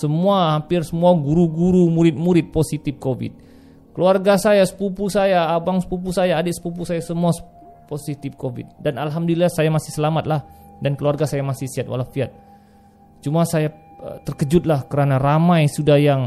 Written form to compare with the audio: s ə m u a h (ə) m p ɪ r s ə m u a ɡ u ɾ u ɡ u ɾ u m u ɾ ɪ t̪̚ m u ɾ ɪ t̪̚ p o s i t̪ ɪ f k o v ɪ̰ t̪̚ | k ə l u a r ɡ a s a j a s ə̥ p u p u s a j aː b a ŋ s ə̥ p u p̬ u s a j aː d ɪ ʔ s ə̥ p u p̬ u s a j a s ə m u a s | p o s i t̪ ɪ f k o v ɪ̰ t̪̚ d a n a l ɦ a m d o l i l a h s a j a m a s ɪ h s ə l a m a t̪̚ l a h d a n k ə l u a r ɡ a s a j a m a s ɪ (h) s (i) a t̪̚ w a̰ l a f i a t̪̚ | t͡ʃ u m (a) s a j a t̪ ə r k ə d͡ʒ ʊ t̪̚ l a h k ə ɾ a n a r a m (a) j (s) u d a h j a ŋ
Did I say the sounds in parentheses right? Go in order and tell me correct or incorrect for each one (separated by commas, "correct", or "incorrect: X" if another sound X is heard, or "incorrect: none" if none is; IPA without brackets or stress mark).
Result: incorrect: a, correct, correct, correct, correct, correct